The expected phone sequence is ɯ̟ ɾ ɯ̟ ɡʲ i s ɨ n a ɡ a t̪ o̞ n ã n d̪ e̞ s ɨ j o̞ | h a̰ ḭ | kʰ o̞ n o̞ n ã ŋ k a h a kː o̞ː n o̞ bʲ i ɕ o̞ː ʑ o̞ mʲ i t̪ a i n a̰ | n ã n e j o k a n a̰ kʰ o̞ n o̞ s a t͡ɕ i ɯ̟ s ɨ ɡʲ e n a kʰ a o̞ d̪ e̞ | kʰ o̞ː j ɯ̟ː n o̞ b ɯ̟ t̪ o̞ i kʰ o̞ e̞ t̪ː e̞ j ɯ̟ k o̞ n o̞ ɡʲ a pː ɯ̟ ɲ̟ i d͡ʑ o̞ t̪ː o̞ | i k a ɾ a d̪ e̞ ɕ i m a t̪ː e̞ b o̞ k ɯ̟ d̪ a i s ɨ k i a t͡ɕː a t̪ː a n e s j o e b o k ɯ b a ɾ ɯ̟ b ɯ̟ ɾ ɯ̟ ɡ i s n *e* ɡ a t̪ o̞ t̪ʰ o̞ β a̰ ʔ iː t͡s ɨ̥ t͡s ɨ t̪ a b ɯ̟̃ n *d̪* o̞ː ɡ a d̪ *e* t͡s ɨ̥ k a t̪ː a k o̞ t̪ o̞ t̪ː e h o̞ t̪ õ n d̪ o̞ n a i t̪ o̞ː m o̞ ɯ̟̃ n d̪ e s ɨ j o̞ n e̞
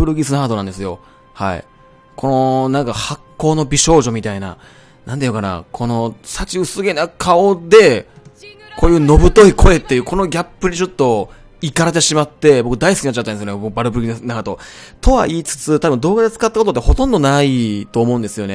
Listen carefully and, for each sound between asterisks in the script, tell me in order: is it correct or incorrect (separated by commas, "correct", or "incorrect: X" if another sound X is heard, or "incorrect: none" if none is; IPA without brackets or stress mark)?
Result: incorrect: a, correct, correct